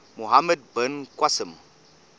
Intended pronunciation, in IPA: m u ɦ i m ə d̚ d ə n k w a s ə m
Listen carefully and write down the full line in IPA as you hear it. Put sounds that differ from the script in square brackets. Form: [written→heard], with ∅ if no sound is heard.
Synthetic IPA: m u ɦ [i→a] m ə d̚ [d→b] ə n k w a s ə m